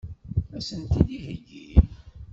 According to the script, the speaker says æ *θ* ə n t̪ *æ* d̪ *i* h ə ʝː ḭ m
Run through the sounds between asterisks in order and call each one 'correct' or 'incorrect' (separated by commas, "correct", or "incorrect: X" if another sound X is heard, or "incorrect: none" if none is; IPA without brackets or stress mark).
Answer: incorrect: s, incorrect: i, correct